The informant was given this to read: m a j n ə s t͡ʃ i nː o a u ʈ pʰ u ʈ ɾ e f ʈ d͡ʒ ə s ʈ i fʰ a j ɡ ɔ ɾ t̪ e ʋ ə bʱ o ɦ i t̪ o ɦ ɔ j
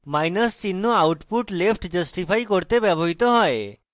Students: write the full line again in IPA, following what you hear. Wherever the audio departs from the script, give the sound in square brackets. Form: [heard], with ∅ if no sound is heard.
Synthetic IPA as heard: m a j n ə s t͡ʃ i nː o a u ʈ [p] u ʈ [l] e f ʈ d͡ʒ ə s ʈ i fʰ a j [k] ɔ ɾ t̪ e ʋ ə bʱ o ɦ i t̪ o ɦ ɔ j